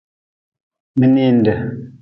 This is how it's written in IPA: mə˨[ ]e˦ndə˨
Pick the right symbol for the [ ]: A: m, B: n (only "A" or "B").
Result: B